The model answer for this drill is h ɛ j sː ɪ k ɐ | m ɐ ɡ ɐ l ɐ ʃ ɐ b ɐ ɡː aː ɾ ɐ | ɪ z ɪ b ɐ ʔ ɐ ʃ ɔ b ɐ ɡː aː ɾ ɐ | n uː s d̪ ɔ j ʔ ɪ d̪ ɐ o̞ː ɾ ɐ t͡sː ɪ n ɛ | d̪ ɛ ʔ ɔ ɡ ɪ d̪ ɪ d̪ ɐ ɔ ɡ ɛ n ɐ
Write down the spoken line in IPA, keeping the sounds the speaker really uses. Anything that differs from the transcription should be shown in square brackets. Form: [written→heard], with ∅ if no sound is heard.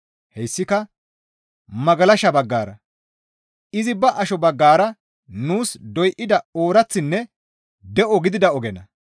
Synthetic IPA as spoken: h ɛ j sː ɪ k ɐ | m ɐ ɡ ɐ l ɐ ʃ ɐ b ɐ ɡː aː ɾ ɐ | ɪ z ɪ b ɐ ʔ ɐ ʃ ɔ b ɐ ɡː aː ɾ ɐ | n uː s d̪ ɔ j ʔ ɪ d̪ ɐ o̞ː ɾ ɐ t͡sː ɪ [n→nː] ɛ | d̪ ɛ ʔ ɔ ɡ ɪ d̪ ɪ d̪ ɐ ɔ ɡ ɛ n ɐ